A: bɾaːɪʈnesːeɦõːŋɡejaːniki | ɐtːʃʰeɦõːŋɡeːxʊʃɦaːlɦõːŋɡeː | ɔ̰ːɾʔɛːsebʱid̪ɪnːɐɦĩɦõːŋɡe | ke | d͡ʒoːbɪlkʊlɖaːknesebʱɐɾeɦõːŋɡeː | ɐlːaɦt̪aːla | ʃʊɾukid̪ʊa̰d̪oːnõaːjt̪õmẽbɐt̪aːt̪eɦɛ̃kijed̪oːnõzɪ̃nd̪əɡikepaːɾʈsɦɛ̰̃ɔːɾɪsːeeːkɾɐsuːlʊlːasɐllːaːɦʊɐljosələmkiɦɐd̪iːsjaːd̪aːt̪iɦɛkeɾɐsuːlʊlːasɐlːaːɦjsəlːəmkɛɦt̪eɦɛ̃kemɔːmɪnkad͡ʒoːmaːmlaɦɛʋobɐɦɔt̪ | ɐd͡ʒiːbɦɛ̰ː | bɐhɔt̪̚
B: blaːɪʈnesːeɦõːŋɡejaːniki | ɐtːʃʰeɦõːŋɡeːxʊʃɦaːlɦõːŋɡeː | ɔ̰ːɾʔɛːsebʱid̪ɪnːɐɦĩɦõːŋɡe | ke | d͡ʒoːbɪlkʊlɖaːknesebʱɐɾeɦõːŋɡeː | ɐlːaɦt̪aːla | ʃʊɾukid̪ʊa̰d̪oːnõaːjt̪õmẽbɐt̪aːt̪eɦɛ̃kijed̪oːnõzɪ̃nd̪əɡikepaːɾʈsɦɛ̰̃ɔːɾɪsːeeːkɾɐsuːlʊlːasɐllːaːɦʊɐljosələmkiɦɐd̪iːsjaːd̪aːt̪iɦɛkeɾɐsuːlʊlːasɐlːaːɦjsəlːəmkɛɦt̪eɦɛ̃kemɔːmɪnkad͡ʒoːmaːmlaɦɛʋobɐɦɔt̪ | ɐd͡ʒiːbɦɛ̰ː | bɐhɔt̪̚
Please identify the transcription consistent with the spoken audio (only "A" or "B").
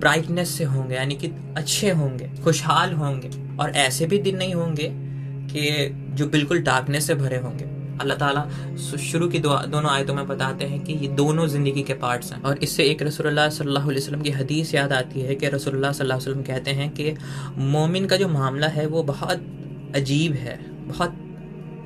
A